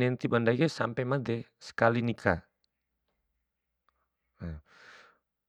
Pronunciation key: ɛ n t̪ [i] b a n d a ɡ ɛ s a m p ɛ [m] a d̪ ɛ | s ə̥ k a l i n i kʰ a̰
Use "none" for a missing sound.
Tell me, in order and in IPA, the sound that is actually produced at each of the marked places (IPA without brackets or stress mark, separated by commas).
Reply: i, m